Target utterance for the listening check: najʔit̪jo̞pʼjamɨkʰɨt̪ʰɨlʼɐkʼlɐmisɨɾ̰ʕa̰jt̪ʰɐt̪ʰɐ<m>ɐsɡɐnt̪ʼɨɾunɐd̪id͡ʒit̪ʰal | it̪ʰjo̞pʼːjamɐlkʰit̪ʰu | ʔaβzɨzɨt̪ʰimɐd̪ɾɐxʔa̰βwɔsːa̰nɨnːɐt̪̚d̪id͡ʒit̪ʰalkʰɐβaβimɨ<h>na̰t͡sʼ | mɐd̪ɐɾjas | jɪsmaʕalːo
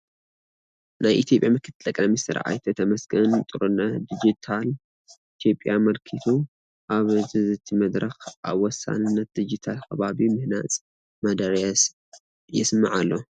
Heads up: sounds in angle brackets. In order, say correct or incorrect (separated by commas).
correct, correct